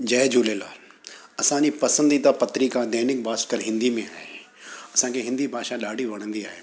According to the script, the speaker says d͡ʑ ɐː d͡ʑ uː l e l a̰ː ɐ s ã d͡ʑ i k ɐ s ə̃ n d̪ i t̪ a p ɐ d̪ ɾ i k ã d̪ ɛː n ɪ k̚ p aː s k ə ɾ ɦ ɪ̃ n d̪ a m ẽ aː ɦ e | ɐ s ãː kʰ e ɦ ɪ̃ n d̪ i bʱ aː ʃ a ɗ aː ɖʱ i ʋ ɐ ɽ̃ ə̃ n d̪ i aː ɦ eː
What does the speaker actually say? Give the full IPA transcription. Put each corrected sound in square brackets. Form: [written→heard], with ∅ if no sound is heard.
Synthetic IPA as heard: d͡ʑ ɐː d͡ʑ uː l e l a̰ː ɐ s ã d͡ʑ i [k→p] ɐ s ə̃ n d̪ i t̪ a p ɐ [d̪→t̪] ɾ i k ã d̪ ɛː n ɪ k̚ [p→b] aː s k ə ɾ ɦ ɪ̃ n d̪ [a→i] m ẽ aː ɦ e | ɐ s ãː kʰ e ɦ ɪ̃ n d̪ i bʱ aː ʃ a ɗ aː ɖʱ i ʋ ɐ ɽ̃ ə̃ n d̪ i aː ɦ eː